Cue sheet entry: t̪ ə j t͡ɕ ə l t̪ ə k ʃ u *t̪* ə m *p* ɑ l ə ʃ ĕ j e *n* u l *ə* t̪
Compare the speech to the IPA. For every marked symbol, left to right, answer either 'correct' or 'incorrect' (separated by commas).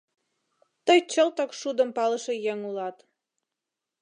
incorrect, correct, incorrect, incorrect